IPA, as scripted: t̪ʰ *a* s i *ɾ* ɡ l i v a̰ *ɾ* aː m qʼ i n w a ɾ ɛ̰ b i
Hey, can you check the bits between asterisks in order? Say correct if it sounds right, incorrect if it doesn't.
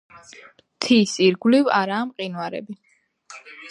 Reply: incorrect, correct, correct

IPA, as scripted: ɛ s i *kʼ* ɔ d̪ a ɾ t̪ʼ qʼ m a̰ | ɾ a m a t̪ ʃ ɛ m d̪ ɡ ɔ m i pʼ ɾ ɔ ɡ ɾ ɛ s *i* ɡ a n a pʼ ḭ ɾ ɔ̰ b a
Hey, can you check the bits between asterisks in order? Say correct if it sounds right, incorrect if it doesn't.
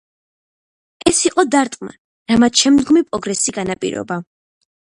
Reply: incorrect, correct

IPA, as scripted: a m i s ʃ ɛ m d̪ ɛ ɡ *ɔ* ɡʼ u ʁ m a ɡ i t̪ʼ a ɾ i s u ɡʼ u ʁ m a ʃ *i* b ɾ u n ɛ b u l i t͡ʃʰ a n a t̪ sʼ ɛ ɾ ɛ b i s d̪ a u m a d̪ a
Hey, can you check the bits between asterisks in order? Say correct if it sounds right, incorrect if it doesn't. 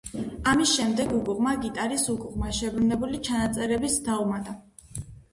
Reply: incorrect, incorrect

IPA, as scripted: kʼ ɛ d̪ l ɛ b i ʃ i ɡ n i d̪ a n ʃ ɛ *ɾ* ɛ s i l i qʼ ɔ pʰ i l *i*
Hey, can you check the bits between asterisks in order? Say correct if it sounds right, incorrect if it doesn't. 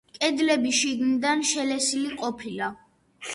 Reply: incorrect, incorrect

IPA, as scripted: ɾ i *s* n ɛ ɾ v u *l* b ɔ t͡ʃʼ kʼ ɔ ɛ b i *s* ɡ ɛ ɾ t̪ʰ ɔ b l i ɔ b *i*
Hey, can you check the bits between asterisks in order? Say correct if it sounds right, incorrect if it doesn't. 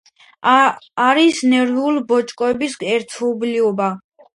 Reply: correct, correct, correct, incorrect

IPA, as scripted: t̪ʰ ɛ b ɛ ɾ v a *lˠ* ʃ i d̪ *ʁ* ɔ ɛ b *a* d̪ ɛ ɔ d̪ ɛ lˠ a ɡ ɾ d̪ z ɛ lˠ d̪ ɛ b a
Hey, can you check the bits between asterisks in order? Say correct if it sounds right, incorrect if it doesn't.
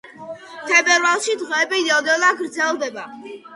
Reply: correct, correct, incorrect

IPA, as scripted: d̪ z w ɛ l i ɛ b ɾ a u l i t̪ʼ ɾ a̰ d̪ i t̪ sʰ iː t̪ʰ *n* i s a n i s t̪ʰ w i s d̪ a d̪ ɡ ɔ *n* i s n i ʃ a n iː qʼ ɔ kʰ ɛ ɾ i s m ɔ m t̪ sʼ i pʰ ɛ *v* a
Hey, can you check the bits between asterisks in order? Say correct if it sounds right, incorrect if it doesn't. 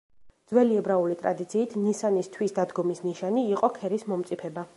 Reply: correct, incorrect, incorrect

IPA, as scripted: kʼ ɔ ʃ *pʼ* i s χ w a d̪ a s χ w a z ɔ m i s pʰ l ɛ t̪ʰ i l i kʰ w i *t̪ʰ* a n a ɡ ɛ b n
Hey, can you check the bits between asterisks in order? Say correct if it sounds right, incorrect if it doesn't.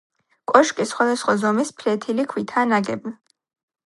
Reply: incorrect, correct

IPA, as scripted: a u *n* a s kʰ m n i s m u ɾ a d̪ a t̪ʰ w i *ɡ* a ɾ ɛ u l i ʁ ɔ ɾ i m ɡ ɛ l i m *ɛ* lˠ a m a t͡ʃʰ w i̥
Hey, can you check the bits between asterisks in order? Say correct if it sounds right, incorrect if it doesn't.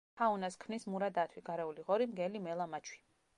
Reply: correct, correct, correct

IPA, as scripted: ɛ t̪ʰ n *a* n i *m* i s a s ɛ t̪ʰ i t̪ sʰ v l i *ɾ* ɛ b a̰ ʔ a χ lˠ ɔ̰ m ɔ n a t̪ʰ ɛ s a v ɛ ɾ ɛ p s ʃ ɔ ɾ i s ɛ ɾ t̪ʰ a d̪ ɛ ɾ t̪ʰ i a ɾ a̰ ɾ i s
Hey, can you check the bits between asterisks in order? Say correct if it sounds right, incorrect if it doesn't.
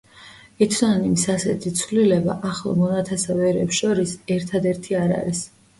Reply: correct, correct, incorrect

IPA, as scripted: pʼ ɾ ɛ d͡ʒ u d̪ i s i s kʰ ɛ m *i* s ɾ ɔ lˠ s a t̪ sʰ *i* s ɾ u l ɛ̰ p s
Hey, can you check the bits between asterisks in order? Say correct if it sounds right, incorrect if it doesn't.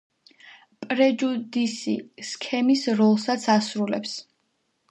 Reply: correct, incorrect

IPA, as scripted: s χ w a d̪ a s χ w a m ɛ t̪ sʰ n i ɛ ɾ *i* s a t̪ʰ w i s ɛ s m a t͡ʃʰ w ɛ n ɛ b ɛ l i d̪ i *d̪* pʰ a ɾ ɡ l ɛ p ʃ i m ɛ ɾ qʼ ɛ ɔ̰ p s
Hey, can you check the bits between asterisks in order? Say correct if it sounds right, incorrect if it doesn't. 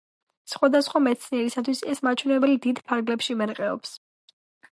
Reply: correct, correct

